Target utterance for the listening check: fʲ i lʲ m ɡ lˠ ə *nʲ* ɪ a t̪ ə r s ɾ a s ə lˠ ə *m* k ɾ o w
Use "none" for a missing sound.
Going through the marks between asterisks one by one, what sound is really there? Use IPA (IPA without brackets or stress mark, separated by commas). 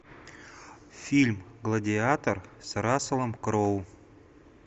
dʲ, m